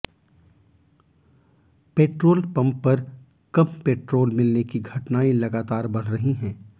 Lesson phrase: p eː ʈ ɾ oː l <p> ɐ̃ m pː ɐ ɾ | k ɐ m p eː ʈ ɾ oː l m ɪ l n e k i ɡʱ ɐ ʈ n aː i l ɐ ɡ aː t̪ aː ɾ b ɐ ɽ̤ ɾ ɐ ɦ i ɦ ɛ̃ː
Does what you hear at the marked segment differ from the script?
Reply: no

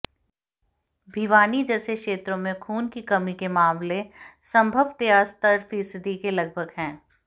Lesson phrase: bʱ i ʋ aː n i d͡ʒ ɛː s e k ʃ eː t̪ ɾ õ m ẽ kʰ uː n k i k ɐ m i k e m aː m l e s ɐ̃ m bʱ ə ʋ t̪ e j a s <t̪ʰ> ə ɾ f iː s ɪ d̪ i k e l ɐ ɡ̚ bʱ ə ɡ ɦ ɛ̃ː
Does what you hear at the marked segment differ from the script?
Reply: yes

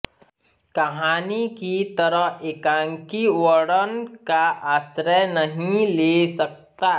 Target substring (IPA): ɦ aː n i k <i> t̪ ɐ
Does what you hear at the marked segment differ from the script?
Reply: no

